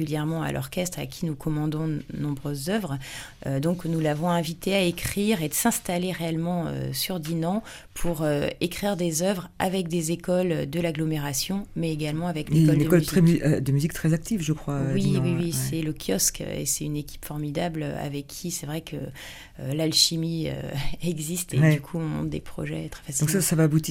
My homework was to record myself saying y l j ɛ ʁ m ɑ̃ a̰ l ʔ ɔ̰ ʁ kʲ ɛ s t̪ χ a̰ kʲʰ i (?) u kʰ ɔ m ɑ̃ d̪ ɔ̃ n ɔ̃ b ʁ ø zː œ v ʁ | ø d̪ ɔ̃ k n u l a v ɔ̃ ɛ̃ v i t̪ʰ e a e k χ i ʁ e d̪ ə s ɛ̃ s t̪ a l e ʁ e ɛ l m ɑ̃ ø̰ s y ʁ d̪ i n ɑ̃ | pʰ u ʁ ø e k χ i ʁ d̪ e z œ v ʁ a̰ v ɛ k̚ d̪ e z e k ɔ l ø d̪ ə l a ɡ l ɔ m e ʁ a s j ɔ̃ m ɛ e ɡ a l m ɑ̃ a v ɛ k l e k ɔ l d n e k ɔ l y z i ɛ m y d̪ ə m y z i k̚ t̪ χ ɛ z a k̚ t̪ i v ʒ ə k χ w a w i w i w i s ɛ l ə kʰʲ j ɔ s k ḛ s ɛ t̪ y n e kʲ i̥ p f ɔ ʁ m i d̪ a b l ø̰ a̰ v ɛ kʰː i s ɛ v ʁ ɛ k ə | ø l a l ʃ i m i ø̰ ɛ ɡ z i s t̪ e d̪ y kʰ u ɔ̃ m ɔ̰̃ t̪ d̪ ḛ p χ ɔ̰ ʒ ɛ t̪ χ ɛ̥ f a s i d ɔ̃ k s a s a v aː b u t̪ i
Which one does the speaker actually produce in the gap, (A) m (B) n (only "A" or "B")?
B